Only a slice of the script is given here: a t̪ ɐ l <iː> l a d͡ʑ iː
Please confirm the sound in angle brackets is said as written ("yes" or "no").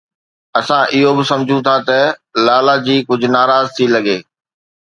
no